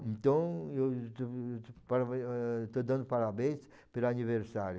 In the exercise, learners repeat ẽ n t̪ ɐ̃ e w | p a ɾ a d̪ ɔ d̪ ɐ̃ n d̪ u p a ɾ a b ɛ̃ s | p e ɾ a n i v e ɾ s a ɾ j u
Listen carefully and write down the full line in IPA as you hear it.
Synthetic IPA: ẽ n t̪ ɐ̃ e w | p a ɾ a t̪ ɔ d̪ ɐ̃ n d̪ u p a ɾ a b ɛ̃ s | p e ɾ a n i v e ɾ s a ɾ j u